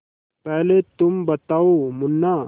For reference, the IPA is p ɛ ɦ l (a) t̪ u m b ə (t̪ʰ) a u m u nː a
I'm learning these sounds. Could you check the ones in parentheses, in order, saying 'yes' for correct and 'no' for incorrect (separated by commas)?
no, no